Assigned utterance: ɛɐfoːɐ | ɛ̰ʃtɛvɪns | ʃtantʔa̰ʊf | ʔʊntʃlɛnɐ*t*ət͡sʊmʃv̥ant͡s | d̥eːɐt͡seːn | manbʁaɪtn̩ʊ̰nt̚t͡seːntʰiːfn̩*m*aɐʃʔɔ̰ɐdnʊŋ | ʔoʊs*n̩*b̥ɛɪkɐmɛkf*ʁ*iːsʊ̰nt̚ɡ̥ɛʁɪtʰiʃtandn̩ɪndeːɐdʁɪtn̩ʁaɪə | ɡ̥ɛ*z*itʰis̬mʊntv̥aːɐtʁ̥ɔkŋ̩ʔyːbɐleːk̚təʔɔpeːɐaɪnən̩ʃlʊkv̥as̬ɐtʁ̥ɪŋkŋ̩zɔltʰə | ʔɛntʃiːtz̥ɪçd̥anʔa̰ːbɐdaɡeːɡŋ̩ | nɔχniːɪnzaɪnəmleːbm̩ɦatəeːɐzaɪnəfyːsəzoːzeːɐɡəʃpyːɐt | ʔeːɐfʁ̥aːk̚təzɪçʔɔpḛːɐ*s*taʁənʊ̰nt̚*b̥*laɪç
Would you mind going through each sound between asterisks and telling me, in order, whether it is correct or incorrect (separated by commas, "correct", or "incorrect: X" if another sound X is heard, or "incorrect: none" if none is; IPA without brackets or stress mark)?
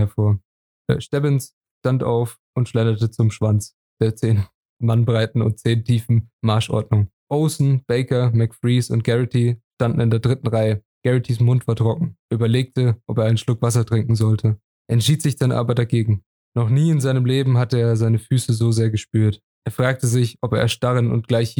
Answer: correct, correct, correct, correct, incorrect: ʁ, incorrect: ʃ, incorrect: ɡ̥